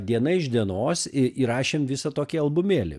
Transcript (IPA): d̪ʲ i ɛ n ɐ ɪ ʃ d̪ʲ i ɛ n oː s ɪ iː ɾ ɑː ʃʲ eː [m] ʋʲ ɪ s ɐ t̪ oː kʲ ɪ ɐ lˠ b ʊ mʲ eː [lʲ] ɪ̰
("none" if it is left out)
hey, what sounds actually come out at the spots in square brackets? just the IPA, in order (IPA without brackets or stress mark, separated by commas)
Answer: m, lʲ